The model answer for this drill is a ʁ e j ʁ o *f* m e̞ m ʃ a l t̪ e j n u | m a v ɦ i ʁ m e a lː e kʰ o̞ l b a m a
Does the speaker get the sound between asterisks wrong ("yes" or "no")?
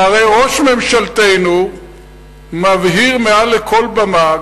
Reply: yes